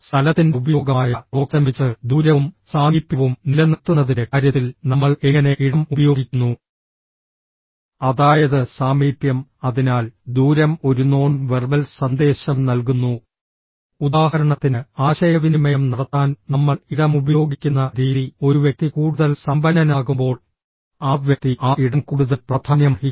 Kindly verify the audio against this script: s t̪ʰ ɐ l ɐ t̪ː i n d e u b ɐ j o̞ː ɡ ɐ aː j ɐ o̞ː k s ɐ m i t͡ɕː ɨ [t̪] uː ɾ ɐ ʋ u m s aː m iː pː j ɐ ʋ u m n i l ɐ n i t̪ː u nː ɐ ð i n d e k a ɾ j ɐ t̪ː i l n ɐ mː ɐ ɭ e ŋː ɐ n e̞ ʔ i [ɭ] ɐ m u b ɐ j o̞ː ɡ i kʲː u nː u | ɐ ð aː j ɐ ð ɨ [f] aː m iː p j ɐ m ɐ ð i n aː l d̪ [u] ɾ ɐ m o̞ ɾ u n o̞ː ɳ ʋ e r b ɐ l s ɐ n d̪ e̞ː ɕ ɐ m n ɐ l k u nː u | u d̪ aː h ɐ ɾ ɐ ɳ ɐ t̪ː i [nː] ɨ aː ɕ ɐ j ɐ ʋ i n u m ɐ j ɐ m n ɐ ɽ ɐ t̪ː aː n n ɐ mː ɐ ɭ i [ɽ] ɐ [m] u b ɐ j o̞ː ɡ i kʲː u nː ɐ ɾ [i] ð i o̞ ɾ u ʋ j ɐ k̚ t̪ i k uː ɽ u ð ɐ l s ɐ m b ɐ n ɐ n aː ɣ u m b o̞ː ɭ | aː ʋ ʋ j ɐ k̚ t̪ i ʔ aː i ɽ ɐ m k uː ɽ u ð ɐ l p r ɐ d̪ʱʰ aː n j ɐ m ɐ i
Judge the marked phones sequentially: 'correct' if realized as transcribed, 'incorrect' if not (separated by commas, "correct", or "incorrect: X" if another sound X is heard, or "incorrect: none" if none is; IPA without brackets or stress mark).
incorrect: d̪, incorrect: ɽ, incorrect: s, incorrect: uː, incorrect: n, correct, correct, incorrect: iː